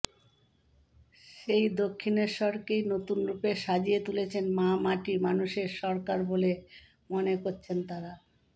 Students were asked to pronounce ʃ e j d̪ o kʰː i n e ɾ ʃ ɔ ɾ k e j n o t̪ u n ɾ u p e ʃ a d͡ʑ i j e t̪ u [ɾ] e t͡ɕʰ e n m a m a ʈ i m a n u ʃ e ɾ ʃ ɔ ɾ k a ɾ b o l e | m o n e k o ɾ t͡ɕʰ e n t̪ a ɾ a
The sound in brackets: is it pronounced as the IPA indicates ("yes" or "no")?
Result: no